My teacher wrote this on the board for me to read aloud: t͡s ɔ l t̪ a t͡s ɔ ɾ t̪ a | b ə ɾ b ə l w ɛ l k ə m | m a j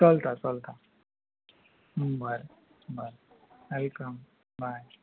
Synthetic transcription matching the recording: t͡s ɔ l t̪ a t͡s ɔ l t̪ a | b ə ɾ b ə ɾ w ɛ l k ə m | b a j